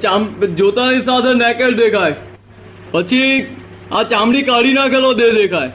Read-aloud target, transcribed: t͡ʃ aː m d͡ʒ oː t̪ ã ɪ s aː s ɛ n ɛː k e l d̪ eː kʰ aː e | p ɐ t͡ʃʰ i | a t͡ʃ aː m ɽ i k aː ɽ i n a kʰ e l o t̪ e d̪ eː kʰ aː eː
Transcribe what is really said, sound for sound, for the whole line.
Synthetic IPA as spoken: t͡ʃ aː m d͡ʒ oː t̪ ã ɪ s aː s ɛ n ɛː k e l d̪ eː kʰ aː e | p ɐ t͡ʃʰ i | a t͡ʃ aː m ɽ i k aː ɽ i n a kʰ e l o d̪ e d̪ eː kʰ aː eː